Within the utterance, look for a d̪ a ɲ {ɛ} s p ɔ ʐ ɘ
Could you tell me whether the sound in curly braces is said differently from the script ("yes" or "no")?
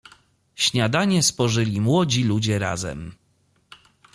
no